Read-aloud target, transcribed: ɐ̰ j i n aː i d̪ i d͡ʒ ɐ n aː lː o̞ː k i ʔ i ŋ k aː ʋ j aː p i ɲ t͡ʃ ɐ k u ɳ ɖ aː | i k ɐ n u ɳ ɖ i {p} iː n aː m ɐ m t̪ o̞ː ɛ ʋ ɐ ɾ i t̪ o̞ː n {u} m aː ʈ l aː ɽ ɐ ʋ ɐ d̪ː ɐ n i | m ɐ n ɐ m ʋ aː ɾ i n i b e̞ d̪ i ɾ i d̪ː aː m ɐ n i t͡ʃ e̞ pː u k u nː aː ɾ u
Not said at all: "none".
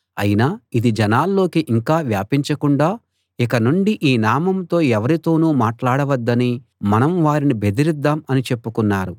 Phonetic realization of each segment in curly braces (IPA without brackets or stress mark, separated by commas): ʔ, uː